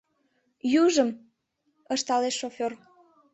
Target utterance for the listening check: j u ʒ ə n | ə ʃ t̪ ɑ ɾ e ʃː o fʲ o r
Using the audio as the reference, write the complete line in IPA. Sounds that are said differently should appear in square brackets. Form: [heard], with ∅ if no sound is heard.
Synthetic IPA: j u ʒ ə [m] | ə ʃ t̪ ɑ [l] e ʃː o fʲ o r